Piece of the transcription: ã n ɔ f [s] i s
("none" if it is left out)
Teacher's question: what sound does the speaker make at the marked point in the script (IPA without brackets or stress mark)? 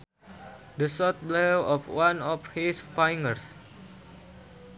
h